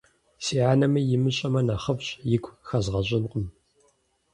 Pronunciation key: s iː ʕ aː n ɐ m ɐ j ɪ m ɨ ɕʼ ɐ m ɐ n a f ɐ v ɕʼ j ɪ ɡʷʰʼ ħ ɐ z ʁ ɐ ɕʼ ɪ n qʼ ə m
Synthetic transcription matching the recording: s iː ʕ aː n ɐ m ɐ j ɪ m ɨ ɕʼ ɐ m ɐ n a χ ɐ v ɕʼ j ɪ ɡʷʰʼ x ɐ z ʁ ɐ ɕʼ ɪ n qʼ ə m